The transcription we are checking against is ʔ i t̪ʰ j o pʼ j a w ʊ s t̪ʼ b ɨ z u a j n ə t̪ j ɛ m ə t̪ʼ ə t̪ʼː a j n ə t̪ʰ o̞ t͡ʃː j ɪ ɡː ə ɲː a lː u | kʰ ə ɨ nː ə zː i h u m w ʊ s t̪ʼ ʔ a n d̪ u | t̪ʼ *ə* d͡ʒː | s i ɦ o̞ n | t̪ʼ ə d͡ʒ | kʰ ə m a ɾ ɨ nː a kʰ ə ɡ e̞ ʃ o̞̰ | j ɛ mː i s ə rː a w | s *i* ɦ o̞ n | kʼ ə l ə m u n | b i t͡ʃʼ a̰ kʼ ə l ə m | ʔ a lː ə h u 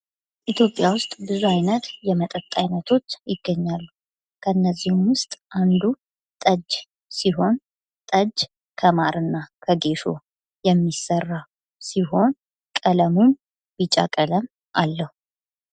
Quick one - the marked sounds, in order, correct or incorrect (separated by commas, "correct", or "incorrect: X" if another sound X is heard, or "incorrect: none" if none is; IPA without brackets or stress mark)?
correct, correct